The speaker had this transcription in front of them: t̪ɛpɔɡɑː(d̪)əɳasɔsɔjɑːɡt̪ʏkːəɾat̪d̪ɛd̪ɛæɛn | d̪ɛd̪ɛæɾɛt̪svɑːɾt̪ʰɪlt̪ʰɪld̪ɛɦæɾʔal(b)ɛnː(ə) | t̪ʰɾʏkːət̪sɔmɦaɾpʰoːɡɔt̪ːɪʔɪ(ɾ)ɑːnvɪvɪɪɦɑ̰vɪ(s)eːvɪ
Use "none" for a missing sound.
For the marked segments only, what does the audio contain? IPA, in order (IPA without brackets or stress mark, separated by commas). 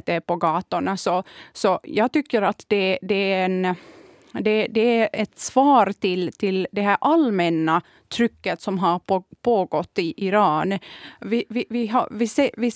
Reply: t̪, m, a, ɾ, s